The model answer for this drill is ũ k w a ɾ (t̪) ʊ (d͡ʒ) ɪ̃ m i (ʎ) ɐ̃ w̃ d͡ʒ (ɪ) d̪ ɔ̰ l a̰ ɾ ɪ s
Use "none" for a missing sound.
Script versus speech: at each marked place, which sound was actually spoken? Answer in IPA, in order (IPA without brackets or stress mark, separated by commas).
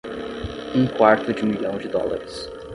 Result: t̪, d͡ʒ, ʎ, ɪ